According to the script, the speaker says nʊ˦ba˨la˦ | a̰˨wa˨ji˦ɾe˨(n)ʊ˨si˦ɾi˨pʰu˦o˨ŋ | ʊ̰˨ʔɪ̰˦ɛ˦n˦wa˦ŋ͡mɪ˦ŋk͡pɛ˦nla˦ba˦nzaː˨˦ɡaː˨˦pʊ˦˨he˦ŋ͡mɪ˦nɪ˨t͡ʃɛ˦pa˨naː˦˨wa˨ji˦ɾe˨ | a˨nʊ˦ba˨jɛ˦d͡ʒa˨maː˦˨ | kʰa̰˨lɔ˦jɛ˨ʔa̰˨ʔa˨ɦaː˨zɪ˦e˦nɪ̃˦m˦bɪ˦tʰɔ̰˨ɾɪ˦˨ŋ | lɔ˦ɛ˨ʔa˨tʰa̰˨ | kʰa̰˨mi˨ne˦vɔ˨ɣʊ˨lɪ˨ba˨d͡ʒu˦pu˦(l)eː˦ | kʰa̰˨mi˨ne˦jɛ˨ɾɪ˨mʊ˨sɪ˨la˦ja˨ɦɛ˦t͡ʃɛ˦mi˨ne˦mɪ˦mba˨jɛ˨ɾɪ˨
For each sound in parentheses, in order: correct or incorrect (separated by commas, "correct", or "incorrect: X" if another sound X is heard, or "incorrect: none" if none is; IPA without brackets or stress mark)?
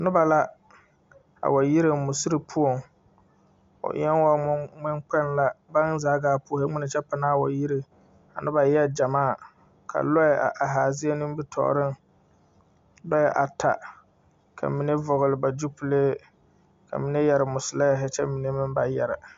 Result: incorrect: m, correct